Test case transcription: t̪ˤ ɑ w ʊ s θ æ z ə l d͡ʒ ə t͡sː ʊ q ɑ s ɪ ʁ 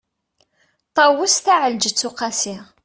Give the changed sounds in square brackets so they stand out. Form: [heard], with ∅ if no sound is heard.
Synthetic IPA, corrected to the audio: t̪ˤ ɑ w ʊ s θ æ [ʕ] ə l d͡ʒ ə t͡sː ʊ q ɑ s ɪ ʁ